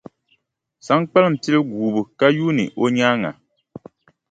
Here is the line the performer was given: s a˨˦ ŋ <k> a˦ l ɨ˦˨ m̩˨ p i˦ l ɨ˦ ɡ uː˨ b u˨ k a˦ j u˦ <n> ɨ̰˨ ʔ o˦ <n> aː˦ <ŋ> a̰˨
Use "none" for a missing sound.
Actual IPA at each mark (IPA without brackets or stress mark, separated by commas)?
k͡p, n, ɲ, ŋ